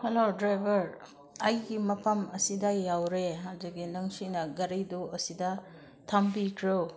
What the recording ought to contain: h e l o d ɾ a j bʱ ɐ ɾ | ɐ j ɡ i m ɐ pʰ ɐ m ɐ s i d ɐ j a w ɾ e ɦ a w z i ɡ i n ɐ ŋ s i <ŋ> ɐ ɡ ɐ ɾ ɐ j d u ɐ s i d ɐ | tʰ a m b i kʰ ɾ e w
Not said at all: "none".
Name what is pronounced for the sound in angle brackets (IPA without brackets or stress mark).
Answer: n